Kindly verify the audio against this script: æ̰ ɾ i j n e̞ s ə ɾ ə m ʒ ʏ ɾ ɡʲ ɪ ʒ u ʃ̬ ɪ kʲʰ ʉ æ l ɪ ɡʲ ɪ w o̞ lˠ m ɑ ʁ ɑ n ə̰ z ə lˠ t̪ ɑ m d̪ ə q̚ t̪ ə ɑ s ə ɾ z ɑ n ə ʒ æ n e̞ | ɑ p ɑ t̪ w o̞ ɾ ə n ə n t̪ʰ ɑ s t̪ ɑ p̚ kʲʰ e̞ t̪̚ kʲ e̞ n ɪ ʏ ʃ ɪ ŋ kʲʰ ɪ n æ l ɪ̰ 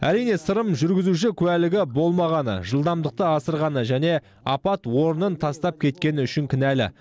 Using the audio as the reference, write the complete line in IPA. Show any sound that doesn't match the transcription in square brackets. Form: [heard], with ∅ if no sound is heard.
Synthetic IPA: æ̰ ɾ i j n e̞ s ə ɾ ə m ʒ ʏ ɾ ɡʲ ɪ [z] u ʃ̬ ɪ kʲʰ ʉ æ l ɪ ɡʲ ɪ [b] o̞ lˠ m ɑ ʁ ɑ n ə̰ [ʒ] ə lˠ [d̪] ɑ m d̪ ə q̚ t̪ ə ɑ s ə ɾ [ʁ] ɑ n ə ʒ æ n e̞ | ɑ p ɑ t̪ w o̞ ɾ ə n ə n t̪ʰ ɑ s t̪ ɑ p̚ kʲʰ e̞ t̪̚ kʲ e̞ n ɪ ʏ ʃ ɪ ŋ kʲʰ ɪ n æ l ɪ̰

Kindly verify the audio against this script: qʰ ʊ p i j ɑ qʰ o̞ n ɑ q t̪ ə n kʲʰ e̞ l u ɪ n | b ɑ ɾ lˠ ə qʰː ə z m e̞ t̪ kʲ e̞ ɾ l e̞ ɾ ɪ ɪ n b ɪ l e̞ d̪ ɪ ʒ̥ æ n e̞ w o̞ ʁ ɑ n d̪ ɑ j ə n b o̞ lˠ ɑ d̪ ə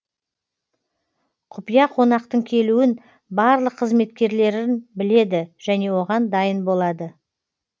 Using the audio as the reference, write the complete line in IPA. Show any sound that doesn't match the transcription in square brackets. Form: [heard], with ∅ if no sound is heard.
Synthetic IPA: qʰ ʊ p i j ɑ qʰ o̞ n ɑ q t̪ ə [ɴ] kʲʰ e̞ l u ɪ n | b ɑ ɾ lˠ ə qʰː ə z m e̞ t̪ kʲ e̞ ɾ l e̞ ɾ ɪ ɪ n b ɪ l e̞ d̪ ɪ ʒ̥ æ n e̞ w o̞ ʁ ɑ n d̪ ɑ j ə n b o̞ lˠ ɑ d̪ ə

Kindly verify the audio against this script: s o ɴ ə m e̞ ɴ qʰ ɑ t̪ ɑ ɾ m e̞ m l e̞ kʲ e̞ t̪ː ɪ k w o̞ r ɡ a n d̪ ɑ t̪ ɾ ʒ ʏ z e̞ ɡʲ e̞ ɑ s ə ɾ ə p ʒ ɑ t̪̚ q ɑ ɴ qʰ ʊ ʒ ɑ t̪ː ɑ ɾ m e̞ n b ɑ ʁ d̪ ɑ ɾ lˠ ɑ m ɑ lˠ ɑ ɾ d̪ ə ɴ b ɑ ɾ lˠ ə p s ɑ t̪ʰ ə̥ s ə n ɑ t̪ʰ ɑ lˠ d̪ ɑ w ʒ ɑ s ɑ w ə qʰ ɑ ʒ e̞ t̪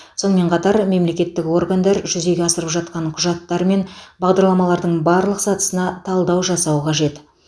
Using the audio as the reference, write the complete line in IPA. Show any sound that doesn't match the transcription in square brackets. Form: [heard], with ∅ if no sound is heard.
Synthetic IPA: s o [n] ə m e̞ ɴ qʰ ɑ t̪ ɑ ɾ m e̞ m l e̞ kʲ e̞ t̪ː ɪ k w o̞ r ɡ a n d̪ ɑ [∅] ɾ ʒ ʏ z e̞ ɡʲ e̞ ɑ s ə ɾ ə p ʒ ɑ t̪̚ q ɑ ɴ qʰ ʊ ʒ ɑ t̪ː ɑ ɾ m e̞ n b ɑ ʁ d̪ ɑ ɾ lˠ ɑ m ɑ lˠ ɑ ɾ d̪ ə ɴ b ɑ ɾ lˠ ə [q] s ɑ [t̪] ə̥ s ə n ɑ t̪ʰ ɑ lˠ d̪ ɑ w ʒ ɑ s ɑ w ə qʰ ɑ ʒ e̞ t̪

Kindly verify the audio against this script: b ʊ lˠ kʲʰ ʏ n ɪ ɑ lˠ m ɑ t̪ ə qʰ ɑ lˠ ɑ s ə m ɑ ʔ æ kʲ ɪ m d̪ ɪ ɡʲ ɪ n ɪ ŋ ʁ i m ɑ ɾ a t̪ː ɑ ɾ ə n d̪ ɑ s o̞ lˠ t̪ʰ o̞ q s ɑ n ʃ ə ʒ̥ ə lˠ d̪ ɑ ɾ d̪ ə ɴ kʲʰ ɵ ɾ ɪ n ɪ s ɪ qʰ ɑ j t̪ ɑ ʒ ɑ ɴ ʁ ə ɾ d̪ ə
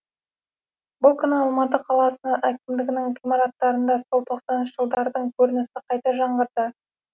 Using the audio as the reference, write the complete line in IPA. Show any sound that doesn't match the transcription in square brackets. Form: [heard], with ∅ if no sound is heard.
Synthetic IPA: b ʊ lˠ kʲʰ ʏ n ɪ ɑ lˠ m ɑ t̪ ə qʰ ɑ lˠ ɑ s ə [n] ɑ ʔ æ kʲ ɪ m d̪ ɪ ɡʲ ɪ n ɪ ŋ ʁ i m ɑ ɾ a t̪ː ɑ ɾ ə n d̪ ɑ s o̞ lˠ t̪ʰ o̞ q s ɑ n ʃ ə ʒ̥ ə lˠ d̪ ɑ ɾ d̪ ə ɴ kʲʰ ɵ ɾ ɪ n ɪ s ɪ qʰ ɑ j t̪ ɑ ʒ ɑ ɴ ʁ ə ɾ d̪ ə

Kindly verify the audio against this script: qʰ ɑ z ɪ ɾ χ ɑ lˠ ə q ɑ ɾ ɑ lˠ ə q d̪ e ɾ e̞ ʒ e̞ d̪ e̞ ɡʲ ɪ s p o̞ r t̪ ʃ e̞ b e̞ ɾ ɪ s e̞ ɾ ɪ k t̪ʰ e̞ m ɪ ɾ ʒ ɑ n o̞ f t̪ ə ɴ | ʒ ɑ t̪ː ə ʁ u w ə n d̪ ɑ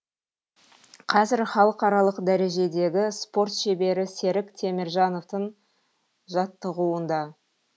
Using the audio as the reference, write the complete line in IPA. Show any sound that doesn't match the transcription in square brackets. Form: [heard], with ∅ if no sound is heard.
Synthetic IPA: qʰ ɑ z ɪ ɾ χ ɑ lˠ ə q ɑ ɾ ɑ lˠ ə q d̪ [æ] ɾ e̞ ʒ e̞ d̪ e̞ ɡʲ ɪ s p o̞ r t̪ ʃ e̞ b e̞ ɾ ɪ s e̞ ɾ ɪ k t̪ʰ e̞ m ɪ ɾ ʒ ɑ n o̞ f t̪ ə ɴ | ʒ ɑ t̪ː ə ʁ u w ə n d̪ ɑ

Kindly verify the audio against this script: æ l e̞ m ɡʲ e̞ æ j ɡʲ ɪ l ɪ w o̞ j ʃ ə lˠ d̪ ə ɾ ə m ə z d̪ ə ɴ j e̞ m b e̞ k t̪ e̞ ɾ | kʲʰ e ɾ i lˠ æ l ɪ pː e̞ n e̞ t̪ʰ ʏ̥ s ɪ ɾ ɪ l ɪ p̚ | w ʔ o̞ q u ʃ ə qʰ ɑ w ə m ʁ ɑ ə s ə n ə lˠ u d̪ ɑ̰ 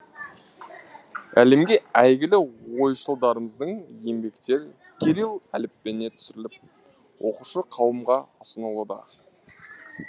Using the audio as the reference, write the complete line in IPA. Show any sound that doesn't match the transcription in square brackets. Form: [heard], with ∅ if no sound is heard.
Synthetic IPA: æ l e̞ m ɡʲ e̞ æ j ɡʲ ɪ l ɪ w o̞ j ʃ ə lˠ d̪ [ɑ] ɾ ə m ə z d̪ ə ɴ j e̞ m b e̞ k t̪ e̞ ɾ | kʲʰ e ɾ i lˠ æ l ɪ pː e̞ n e̞ t̪ʰ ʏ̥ s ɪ ɾ ɪ l ɪ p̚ | w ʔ o̞ q u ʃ ə qʰ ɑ w ə m ʁ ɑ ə s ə n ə lˠ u d̪ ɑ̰

